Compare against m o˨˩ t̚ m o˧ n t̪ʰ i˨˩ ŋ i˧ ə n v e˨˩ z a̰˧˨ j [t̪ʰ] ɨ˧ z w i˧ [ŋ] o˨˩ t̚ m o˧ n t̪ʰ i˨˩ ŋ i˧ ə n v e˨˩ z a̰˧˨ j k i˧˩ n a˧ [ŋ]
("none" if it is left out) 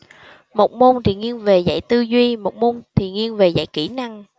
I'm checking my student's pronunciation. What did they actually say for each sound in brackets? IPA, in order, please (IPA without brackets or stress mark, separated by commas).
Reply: t̪, m, ŋ